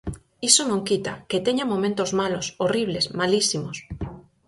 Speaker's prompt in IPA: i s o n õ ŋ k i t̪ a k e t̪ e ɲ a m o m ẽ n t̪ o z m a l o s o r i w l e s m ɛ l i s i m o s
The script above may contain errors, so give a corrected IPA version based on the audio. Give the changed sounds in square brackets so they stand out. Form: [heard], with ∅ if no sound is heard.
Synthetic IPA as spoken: i s o n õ ŋ k i t̪ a k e t̪ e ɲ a m o m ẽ n t̪ o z m a l o s o r i [β] l e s m [a] l i s i m o s